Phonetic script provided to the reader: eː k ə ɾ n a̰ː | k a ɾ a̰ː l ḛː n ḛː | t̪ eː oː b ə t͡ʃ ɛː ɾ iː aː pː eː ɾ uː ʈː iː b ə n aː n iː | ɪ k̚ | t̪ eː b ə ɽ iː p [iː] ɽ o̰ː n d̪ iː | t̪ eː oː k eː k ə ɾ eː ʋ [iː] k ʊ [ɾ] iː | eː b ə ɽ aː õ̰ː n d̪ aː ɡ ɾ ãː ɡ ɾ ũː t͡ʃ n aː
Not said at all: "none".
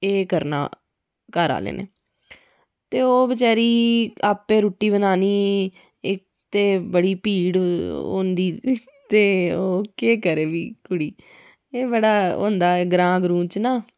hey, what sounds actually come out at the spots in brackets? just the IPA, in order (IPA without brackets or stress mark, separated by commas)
iː, iː, ɽ